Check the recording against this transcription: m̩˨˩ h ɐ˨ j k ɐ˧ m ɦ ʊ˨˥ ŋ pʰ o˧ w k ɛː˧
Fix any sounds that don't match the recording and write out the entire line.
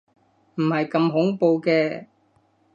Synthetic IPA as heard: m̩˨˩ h ɐ˨ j k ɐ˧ m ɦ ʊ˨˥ ŋ p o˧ w k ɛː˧